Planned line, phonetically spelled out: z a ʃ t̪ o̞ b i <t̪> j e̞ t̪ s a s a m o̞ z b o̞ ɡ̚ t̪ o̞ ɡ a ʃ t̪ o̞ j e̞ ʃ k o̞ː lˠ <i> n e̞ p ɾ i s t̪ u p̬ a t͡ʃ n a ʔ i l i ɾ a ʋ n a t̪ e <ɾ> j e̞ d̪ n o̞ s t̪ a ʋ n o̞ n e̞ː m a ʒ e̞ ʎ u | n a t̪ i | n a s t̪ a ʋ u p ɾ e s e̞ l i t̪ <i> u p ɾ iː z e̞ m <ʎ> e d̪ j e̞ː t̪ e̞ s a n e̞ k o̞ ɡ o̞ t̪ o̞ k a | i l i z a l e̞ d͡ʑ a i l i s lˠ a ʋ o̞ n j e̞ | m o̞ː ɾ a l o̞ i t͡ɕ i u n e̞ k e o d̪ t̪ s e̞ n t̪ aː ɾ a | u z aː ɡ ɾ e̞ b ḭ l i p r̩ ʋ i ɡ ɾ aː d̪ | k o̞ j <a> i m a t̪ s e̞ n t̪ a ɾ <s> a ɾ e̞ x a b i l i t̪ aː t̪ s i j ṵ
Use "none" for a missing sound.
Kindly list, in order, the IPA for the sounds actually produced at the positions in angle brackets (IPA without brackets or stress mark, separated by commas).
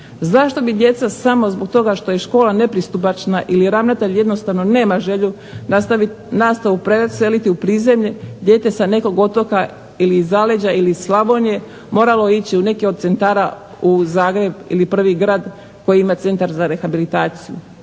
d̪, a, ʎ, i, ʎ, i, z